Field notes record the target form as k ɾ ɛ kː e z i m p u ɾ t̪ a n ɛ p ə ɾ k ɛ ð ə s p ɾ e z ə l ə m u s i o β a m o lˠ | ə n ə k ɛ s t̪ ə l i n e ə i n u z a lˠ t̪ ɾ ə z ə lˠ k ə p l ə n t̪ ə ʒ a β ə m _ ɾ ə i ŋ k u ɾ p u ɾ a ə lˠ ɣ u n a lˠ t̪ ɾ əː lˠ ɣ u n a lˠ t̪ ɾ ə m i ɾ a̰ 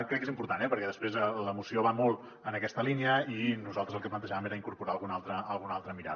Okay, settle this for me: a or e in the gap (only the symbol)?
e